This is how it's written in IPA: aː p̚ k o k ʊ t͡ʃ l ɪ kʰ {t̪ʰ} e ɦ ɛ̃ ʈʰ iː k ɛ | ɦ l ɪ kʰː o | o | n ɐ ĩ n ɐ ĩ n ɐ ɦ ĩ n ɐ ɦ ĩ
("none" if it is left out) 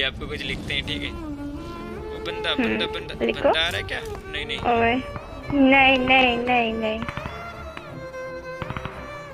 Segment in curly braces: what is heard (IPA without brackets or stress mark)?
t̪